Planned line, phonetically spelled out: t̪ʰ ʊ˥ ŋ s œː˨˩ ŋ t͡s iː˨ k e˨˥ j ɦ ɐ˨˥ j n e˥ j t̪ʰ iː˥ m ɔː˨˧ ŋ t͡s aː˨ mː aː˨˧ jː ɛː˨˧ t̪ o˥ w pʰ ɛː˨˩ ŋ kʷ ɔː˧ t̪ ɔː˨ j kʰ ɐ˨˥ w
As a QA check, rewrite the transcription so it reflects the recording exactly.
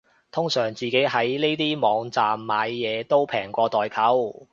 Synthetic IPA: t̪ʰ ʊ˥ ŋ s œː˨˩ ŋ t͡s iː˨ k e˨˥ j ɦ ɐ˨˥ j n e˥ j t̪ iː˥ m ɔː˨˧ ŋ t͡s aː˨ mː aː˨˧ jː ɛː˨˧ t̪ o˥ w pʰ ɛː˨˩ ŋ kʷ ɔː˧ t̪ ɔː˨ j kʰ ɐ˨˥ w

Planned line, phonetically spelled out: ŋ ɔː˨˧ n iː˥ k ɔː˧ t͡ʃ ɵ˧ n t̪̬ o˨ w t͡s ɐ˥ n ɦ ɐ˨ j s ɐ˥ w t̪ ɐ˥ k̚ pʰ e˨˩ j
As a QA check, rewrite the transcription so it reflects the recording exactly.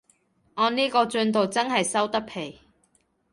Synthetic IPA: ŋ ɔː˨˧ n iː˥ k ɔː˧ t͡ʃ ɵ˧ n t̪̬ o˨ w t͡s ɐ˥ n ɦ ɐ˨ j s ɐ˥ w t̪ ɐ˥ k̚ pʰ e˨˩ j

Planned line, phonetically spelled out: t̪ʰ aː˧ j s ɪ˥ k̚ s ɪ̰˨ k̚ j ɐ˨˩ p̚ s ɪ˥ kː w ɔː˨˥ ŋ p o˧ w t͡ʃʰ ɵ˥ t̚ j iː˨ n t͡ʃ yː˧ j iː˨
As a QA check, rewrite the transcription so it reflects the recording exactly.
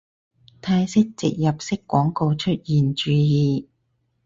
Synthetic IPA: t̪ʰ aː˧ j s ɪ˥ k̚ t͡s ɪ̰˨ k̚ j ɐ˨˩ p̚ s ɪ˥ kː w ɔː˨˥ ŋ k o˧ w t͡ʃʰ ɵ˥ t̚ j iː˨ n t͡ʃ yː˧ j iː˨

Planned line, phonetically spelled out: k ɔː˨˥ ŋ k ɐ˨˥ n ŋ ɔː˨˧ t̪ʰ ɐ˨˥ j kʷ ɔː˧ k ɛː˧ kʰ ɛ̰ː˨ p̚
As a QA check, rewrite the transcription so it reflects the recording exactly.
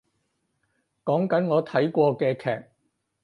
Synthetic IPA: k ɔː˨˥ ŋ k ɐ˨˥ n ŋ ɔː˨˧ t̪ʰ ɐ˨˥ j kʷ ɔː˧ k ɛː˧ kʰ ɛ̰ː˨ k̚

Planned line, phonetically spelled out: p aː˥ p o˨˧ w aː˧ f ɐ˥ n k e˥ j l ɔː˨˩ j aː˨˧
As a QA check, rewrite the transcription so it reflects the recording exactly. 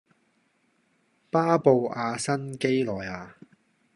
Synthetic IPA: p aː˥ p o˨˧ w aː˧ s ɐ˥ n k e˥ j l ɔː˨˩ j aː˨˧

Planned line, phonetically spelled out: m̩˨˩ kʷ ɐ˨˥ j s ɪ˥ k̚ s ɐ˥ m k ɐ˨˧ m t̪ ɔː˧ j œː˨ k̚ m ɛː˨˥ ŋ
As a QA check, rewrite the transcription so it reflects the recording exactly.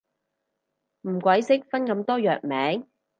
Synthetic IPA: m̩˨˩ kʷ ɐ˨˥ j s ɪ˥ k̚ f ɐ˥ n k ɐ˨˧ m t̪ ɔː˥ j œː˨ k̚ m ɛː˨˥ ŋ

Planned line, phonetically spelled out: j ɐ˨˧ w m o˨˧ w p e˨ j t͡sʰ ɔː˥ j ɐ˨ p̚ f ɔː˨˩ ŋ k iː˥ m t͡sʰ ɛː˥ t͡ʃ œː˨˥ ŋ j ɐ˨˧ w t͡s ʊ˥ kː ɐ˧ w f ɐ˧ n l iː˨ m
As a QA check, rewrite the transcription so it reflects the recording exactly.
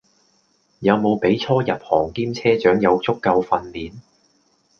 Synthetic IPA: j ɐ˨˧ w m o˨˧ w p e˨˥ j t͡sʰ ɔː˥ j ɐ˨ p̚ h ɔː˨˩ ŋ k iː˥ m t͡sʰ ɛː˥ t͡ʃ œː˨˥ ŋ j ɐ˨˧ w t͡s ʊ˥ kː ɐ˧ w f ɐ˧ n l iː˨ n

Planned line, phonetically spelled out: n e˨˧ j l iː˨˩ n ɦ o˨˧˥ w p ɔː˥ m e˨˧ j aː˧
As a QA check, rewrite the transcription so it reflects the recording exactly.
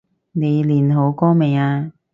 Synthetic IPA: n e˨˧ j l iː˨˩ n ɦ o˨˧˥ w k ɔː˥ m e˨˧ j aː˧

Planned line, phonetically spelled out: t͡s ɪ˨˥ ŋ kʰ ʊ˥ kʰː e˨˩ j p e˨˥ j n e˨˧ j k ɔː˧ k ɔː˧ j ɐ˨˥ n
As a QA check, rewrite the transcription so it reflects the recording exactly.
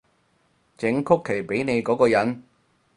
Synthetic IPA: t͡s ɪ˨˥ ŋ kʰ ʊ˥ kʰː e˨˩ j p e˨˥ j n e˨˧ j k ɔː˨˥ k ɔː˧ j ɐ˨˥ n

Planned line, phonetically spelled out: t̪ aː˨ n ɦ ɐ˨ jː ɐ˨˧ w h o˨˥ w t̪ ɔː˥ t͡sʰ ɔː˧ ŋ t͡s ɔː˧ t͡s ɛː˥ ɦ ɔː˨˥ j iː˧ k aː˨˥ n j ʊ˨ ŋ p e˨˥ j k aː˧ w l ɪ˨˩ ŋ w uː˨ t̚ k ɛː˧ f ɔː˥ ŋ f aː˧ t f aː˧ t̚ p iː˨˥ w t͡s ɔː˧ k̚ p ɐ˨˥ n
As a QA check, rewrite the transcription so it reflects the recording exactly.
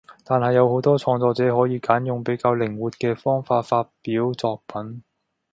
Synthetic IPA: t̪ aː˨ n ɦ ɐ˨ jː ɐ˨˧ w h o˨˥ w t̪ ɔː˥ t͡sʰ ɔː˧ ŋ t͡s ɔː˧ t͡s ɛː˨˥ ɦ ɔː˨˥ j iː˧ k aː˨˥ n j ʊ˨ ŋ p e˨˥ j k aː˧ w l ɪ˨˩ ŋ w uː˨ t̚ k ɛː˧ f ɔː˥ ŋ f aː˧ t f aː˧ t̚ p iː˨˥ w t͡s ɔː˧ k̚ p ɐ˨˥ n

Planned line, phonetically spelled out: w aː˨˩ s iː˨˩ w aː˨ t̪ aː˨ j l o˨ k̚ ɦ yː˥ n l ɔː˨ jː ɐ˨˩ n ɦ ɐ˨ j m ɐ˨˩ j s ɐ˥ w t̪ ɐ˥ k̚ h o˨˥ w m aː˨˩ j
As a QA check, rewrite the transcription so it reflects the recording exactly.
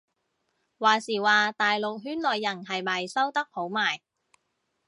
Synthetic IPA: w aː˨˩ s iː˨˩ w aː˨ t̪ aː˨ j l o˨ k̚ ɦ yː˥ n l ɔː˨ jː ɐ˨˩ n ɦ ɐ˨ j m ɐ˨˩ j s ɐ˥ w t̪ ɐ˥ k̚ h o˨˥ w m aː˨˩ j

